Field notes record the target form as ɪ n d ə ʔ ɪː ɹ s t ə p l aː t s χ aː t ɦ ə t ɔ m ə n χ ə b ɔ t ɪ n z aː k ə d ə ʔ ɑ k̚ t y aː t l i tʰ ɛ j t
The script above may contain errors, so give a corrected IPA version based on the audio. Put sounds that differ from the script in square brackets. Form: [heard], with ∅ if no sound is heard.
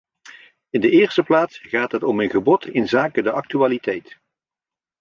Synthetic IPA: ɪ n d ə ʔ ɪː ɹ s t ə p l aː t s χ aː t ɦ ə t ɔ m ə n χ ə b ɔ t ɪ n z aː k ə d ə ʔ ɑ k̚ t y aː [∅] l i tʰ ɛ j t